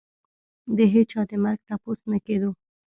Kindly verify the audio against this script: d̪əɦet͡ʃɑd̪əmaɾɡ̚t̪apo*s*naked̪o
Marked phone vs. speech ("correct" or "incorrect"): correct